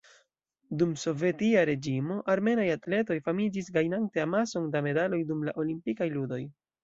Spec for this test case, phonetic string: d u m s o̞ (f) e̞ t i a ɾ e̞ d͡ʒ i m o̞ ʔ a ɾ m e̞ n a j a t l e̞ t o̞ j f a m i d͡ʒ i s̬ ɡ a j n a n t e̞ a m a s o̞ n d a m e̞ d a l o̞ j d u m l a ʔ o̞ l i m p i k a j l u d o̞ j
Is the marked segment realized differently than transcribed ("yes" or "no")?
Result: yes